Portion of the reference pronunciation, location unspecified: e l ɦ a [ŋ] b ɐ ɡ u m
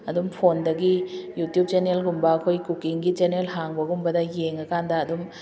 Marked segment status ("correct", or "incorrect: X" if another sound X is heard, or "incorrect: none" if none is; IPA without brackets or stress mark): correct